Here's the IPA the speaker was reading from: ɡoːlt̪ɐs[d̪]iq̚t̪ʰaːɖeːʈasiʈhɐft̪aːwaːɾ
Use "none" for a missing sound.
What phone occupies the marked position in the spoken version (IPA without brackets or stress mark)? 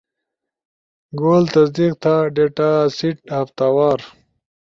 d̪